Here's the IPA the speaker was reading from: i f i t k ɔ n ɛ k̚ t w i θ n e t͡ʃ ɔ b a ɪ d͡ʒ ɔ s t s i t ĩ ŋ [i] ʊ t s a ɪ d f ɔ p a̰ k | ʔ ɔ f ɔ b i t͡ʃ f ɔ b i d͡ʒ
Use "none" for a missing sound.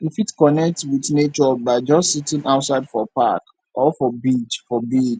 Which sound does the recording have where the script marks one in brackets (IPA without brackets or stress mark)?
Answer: a